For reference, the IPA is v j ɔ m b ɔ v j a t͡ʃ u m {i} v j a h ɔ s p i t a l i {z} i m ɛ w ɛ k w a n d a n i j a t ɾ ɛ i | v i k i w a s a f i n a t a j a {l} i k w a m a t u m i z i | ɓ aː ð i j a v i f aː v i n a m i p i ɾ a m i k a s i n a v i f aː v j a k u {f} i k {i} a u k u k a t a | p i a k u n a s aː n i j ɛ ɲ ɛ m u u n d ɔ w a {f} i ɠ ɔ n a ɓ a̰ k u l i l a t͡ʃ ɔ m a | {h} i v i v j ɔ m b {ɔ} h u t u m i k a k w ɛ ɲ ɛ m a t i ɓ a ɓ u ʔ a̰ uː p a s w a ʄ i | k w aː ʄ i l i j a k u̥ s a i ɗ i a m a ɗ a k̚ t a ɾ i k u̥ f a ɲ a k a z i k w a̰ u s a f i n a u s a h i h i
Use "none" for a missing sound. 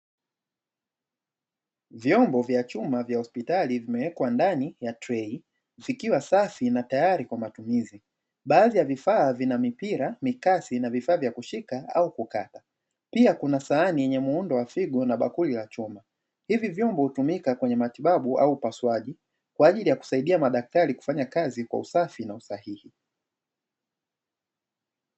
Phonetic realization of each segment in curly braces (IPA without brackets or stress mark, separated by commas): a, v, ɾ, ʃ, a, f, h, ɔ